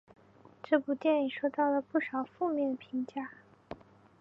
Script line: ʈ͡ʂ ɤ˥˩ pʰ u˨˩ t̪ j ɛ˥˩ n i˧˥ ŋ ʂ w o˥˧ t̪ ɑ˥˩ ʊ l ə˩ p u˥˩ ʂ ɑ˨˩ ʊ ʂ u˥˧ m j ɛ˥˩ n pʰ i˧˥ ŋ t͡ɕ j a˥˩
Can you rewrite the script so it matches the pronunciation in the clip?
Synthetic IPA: ʈ͡ʂ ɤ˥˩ p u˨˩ t̪ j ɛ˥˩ n i˨˩ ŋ ʂ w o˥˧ t̪ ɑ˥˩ ʊ l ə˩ p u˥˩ ʂ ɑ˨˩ ʊ f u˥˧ m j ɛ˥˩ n pʰ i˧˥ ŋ t͡ɕ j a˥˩

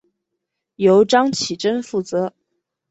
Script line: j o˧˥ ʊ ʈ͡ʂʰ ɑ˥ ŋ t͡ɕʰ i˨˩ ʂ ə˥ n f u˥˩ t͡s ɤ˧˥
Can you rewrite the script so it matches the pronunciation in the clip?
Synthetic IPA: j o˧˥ ʊ ʈ͡ʂ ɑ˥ ŋ t͡ɕʰ i˨˩ ʈ͡ʂ ə˥ n f u˥˩ t͡s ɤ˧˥

